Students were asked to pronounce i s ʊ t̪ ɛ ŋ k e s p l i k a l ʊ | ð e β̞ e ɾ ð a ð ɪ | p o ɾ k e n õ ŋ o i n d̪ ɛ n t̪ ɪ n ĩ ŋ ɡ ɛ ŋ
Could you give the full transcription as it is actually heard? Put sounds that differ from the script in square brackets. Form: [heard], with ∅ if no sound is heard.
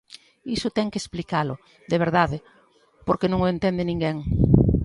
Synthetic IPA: i s ʊ t̪ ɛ ŋ k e s p l i k a l ʊ | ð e β̞ e ɾ ð a ð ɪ | p o ɾ k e n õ ŋ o [e] n [t̪] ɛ n [d̪] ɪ n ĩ ŋ ɡ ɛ ŋ